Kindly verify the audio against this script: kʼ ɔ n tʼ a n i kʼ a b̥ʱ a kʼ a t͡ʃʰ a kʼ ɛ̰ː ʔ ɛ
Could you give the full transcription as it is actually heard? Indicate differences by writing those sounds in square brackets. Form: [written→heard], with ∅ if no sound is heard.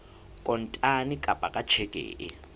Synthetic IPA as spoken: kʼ ɔ n tʼ a n i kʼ a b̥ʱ a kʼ a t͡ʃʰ [a→ɛ] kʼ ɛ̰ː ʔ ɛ